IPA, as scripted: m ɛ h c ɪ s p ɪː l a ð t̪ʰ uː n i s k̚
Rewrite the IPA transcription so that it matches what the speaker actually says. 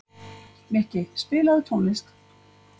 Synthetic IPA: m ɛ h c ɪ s p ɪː l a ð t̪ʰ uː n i s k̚